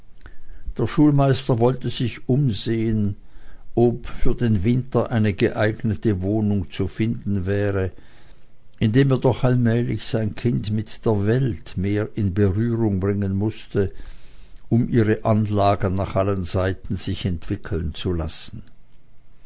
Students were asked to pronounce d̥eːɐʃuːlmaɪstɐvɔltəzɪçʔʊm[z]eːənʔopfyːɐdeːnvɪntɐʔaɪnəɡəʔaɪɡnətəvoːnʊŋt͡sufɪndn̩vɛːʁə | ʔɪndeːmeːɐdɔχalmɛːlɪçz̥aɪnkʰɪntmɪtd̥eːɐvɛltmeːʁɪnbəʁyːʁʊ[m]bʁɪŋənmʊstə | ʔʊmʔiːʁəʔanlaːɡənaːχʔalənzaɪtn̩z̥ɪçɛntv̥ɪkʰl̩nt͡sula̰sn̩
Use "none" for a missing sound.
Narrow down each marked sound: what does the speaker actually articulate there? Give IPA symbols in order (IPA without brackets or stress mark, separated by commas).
z, ŋ